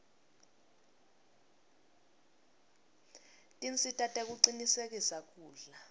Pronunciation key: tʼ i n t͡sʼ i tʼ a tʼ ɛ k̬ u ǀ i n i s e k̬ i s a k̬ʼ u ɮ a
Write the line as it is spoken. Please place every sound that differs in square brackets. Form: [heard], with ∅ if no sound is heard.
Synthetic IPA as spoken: tʼ i n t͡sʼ i tʼ a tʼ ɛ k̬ u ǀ i n i s e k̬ i s a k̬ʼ [uː] ɮ a